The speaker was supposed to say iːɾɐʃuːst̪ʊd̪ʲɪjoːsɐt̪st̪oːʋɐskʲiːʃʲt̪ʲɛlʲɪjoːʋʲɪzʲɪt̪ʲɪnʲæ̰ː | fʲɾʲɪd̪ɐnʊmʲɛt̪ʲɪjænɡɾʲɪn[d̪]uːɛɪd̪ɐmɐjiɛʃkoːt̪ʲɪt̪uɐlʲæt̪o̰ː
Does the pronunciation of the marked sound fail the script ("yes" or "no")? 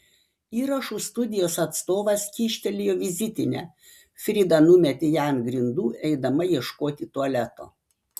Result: no